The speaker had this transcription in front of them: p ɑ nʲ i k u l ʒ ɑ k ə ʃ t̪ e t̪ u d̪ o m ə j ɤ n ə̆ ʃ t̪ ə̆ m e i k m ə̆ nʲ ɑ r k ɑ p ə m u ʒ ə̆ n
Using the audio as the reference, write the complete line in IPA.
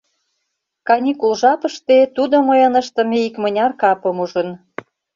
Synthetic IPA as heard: k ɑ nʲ i k u l ʒ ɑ p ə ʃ t̪ e t̪ u d̪ o m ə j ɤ n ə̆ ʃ t̪ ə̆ m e i k m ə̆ nʲ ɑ r k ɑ p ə m u ʒ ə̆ n